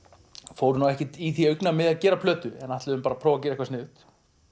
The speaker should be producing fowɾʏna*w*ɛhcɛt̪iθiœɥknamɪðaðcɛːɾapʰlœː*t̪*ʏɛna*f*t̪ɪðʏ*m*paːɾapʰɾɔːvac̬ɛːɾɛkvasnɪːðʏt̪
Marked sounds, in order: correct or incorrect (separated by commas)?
correct, correct, incorrect, correct